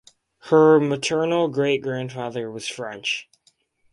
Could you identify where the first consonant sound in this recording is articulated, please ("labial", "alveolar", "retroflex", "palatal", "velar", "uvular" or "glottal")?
glottal